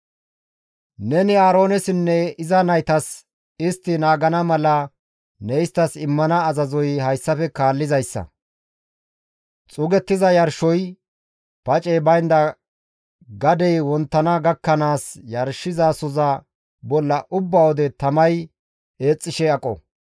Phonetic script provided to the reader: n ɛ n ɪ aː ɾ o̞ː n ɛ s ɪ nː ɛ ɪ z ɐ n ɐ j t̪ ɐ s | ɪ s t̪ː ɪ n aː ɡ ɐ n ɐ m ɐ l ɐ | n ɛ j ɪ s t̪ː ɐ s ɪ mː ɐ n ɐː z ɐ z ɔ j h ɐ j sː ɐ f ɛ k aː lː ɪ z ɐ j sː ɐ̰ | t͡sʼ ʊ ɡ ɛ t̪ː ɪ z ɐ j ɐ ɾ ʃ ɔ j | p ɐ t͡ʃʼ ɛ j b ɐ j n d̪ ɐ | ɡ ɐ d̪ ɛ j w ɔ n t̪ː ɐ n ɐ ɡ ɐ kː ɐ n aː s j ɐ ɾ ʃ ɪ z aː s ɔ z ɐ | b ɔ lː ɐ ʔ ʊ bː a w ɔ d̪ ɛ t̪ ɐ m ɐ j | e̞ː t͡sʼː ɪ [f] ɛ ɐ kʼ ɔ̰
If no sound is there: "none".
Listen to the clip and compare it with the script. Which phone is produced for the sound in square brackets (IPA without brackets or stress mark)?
ʃ